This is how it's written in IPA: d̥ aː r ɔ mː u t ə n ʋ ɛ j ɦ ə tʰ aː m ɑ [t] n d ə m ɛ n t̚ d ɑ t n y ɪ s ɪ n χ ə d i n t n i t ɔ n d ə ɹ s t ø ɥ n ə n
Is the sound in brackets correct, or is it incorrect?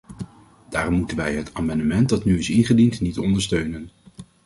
incorrect: none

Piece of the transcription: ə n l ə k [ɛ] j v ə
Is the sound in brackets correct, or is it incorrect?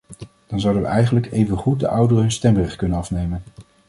incorrect: e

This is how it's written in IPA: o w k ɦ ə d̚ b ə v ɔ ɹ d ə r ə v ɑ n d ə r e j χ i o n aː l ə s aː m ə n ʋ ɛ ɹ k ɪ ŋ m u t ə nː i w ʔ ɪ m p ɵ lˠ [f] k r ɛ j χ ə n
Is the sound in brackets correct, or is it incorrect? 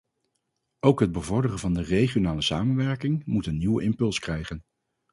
incorrect: s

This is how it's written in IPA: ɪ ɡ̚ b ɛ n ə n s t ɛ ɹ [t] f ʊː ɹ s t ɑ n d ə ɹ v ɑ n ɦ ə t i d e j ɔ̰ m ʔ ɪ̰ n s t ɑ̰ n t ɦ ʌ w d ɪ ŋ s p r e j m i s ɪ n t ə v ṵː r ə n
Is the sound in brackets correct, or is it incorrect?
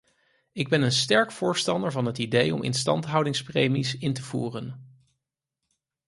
incorrect: k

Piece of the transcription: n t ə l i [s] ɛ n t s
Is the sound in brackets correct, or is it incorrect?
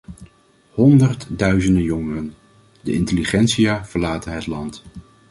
incorrect: χ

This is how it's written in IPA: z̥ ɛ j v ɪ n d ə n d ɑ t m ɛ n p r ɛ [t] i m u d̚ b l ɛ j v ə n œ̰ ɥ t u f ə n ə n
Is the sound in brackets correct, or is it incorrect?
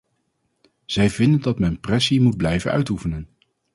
incorrect: s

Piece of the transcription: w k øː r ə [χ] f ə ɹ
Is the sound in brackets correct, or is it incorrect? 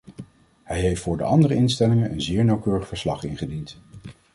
correct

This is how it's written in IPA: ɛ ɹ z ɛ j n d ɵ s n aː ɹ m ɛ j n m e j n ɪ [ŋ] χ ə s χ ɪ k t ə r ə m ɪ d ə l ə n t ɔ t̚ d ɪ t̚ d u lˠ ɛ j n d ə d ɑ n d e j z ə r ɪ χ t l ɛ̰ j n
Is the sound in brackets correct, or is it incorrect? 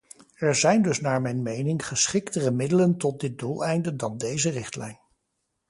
correct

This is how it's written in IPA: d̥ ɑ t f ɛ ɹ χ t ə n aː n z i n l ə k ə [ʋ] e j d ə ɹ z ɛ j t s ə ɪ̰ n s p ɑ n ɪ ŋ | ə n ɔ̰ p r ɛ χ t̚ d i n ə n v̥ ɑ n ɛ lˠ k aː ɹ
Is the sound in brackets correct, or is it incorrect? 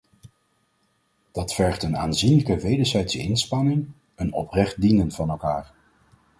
correct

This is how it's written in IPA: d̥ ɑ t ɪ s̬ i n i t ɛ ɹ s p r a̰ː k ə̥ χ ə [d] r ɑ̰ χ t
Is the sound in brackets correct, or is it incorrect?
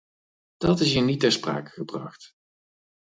incorrect: b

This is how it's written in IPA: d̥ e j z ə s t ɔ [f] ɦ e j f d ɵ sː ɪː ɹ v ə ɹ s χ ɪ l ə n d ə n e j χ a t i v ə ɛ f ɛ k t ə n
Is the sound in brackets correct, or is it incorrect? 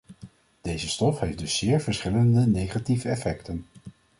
correct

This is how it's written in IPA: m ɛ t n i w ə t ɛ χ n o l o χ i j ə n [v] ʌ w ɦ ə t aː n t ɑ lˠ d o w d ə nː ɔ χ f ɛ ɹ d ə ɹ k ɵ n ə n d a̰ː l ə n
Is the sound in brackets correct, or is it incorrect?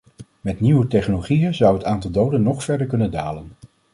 incorrect: z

